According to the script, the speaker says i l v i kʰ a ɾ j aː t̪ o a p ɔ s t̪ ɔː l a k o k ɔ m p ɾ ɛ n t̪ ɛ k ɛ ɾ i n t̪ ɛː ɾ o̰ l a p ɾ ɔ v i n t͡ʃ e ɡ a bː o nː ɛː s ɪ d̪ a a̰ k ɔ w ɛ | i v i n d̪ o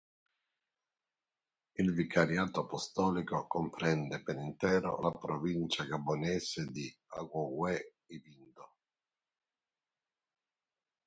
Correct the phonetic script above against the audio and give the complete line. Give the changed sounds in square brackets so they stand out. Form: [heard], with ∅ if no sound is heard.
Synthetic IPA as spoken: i l v i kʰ a ɾ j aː t̪ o a p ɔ s t̪ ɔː l [i] k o k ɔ m p ɾ ɛ n [d̪] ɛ [p] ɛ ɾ i n t̪ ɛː ɾ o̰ l a p ɾ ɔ v i n t͡ʃ [a] ɡ a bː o [n] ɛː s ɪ d̪ [i] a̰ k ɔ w ɛ | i v i n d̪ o